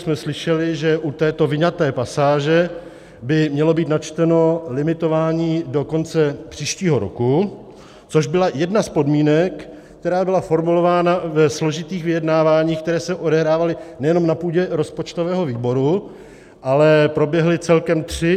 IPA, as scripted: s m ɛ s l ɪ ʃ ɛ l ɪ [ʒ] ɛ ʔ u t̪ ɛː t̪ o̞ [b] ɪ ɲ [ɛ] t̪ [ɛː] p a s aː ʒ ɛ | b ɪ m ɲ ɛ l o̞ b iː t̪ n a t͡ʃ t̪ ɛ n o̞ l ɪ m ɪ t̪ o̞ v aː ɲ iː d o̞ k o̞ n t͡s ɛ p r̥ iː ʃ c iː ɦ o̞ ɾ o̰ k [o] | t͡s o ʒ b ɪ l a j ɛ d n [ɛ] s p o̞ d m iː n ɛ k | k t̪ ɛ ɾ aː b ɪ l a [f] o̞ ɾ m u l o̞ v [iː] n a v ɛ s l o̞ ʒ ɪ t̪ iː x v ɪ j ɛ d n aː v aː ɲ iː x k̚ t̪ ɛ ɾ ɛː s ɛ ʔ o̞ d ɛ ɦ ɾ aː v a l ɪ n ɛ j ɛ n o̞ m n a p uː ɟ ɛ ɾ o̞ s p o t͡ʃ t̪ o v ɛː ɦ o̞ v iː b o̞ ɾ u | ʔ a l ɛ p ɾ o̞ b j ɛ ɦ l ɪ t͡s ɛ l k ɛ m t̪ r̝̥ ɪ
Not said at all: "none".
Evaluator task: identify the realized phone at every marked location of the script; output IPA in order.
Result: ʒ, v, a, ɛː, u, a, f, aː

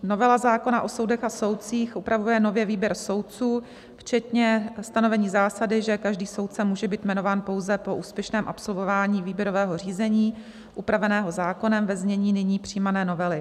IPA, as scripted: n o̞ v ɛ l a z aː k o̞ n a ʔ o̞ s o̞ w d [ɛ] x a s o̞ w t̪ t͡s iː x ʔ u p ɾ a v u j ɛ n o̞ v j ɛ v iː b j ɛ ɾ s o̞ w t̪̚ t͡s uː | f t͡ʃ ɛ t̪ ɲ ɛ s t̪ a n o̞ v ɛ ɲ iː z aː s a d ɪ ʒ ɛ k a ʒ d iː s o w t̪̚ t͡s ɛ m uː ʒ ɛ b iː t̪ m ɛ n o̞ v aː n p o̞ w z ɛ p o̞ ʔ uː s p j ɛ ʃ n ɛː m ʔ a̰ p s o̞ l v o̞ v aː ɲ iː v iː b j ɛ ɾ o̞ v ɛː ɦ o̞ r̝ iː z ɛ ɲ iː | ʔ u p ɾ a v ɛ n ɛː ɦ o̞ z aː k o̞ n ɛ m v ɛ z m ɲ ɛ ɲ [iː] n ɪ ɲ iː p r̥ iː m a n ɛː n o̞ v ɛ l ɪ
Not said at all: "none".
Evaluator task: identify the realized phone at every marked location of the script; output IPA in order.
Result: ɛ, iː

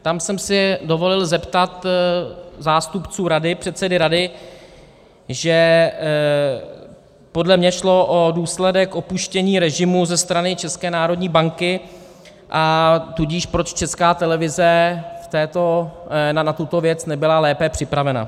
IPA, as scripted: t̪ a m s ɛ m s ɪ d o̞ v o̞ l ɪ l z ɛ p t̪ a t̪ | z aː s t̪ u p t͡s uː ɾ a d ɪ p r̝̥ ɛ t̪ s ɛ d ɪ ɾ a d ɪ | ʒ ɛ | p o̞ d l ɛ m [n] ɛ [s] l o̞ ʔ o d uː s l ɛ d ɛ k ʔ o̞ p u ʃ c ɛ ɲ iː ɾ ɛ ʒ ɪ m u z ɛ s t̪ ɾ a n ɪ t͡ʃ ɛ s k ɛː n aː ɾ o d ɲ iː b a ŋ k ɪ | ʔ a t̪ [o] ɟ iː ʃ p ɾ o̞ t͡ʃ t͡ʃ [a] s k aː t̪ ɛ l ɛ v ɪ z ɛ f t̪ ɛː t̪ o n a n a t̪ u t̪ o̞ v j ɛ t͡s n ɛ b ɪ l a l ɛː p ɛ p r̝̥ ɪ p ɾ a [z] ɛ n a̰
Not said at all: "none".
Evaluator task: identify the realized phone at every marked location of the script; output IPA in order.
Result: ɲ, ʃ, u, ɛ, v

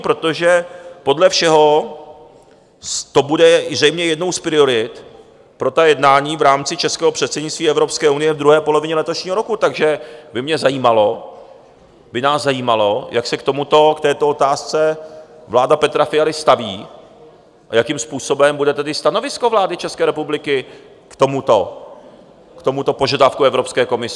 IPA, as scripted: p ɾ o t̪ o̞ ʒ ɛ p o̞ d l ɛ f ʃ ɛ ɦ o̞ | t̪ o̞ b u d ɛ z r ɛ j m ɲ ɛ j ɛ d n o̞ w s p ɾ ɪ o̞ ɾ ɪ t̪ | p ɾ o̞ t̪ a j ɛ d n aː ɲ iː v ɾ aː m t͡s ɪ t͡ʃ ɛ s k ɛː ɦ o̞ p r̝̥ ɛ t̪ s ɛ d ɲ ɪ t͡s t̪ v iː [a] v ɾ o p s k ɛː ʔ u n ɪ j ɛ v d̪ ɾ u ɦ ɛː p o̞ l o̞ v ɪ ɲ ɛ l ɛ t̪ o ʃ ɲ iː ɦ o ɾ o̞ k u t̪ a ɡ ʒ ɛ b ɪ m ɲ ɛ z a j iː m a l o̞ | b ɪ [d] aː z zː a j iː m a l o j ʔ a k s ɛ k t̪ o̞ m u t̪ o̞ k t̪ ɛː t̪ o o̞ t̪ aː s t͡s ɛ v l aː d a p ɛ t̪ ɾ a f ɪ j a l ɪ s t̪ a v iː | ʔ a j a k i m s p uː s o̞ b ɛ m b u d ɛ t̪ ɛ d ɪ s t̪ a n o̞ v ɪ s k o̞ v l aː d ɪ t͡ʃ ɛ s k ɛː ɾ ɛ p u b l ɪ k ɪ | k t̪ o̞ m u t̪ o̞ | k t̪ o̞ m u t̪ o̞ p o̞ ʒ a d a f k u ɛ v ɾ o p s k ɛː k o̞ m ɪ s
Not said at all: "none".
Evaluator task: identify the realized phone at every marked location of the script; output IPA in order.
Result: ɛ, n

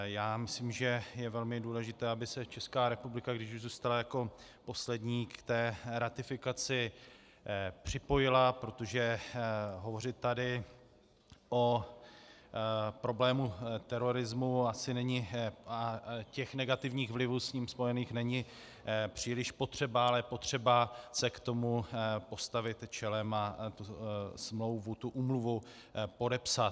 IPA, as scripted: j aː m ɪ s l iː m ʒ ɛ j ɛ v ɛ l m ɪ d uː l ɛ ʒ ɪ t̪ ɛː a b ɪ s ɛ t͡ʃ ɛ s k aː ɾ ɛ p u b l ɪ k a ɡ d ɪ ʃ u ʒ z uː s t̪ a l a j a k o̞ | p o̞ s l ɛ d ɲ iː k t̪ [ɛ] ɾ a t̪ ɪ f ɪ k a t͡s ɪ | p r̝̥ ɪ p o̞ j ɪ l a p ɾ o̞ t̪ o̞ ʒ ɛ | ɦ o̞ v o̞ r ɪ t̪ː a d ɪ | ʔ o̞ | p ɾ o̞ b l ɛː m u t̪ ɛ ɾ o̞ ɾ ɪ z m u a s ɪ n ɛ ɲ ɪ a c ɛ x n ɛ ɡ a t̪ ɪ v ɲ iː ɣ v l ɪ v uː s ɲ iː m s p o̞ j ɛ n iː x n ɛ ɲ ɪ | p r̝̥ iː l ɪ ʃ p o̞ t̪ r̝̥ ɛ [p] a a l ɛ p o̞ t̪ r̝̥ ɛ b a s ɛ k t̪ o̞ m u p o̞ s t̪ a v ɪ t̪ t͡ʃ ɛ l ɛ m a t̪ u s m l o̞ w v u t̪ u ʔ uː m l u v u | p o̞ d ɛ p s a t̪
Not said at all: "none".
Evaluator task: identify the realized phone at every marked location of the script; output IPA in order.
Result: ɛː, b

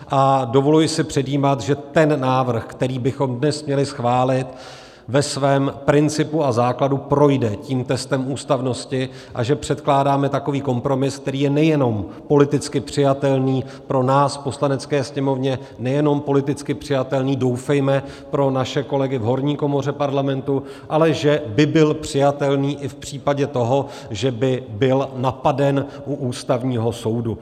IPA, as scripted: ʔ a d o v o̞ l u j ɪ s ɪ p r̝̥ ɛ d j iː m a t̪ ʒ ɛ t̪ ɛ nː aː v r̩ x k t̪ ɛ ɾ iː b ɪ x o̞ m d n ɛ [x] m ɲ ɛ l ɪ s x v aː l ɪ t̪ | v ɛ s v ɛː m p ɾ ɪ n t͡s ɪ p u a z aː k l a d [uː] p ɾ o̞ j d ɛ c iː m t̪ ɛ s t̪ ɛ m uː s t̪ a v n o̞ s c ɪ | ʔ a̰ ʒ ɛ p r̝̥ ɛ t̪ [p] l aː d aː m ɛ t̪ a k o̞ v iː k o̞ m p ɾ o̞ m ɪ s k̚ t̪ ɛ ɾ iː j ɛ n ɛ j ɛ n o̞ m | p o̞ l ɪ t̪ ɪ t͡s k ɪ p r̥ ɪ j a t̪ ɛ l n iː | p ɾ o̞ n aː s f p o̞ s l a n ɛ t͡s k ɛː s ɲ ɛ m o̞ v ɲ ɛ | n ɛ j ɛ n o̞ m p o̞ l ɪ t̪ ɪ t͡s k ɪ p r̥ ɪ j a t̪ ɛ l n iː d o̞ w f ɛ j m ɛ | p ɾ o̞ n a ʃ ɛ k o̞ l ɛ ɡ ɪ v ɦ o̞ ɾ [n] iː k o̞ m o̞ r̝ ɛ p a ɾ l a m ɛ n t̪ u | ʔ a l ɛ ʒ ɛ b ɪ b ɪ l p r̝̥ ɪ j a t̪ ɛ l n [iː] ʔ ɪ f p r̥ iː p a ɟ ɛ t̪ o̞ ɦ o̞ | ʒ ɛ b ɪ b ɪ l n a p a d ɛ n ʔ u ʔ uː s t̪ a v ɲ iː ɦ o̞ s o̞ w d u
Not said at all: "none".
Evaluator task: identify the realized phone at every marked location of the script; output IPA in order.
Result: s, u, k, ɲ, iː

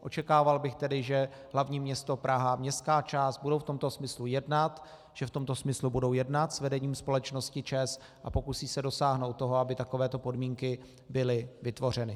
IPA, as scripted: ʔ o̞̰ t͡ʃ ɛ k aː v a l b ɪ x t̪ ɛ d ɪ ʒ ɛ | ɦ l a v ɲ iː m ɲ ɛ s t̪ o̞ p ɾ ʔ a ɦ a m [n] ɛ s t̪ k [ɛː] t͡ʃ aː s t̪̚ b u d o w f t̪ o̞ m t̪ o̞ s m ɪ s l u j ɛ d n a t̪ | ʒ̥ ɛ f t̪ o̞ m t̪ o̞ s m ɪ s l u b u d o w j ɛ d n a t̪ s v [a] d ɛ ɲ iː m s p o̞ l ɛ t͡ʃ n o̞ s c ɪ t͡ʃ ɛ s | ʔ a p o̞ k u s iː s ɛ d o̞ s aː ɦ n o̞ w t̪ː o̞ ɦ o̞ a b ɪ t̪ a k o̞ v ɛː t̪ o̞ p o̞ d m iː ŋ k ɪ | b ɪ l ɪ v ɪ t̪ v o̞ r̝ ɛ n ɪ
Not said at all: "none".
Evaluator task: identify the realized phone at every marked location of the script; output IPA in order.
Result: ɲ, aː, ɛ

